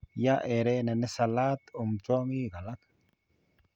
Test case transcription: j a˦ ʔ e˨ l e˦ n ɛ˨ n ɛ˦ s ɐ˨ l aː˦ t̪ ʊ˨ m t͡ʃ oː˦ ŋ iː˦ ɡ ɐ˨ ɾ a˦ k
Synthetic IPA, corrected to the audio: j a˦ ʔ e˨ ɾ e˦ n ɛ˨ n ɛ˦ s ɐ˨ l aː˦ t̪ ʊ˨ m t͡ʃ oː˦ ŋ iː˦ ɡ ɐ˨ l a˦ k